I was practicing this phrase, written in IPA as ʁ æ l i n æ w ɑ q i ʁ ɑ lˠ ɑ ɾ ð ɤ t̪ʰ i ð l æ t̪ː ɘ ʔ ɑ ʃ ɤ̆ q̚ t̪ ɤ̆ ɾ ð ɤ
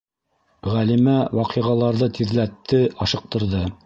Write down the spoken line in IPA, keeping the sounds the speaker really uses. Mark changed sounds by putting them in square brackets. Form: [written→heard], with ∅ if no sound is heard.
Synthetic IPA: ʁ æ l i [n→m] æ w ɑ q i ʁ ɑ lˠ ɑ ɾ ð ɤ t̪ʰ i ð l æ t̪ː ɘ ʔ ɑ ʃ ɤ̆ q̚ t̪ ɤ̆ ɾ ð ɤ